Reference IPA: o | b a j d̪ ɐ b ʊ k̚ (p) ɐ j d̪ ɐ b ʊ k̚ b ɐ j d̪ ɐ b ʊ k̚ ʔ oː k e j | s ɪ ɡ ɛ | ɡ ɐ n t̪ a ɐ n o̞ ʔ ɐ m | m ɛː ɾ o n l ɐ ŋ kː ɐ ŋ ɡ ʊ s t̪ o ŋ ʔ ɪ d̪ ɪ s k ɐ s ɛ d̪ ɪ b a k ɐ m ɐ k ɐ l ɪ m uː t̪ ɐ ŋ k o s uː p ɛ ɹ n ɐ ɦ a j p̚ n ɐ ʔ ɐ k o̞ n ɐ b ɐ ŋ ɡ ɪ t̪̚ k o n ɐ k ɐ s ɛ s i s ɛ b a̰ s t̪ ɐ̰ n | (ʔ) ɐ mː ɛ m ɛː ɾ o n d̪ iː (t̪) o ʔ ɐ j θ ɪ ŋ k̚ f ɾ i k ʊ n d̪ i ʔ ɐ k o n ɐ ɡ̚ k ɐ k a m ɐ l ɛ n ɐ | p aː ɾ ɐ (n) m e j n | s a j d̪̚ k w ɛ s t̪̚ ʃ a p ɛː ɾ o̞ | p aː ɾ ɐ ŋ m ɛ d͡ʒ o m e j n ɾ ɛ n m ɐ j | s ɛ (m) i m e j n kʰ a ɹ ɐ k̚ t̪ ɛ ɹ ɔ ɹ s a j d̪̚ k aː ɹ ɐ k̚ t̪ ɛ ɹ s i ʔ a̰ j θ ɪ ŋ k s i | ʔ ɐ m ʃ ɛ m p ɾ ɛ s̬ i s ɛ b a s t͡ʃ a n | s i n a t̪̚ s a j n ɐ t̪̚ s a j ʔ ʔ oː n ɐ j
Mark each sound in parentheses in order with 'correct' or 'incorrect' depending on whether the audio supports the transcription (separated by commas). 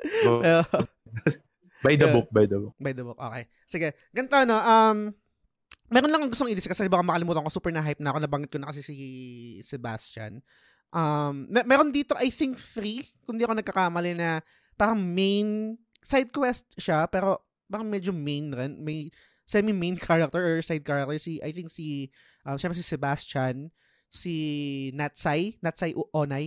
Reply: incorrect, correct, correct, incorrect, correct